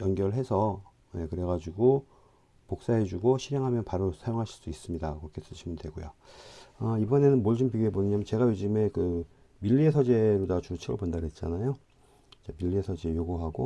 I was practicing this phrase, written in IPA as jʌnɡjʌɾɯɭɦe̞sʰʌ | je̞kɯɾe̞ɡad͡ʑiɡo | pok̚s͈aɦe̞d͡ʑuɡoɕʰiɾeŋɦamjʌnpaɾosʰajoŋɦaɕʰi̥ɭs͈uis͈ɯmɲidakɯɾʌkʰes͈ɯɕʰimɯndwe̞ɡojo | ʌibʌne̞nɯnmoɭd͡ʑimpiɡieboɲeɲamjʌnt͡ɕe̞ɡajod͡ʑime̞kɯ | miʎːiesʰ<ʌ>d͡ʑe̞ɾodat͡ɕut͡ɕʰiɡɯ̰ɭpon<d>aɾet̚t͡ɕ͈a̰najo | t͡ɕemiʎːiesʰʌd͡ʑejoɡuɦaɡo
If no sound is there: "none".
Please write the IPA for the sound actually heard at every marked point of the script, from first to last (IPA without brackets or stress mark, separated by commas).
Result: ʌ, d